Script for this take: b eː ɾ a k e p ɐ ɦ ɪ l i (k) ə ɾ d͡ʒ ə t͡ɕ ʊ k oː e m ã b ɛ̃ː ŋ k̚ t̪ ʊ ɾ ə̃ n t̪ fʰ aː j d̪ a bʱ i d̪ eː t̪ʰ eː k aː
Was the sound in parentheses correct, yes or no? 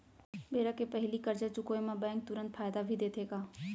yes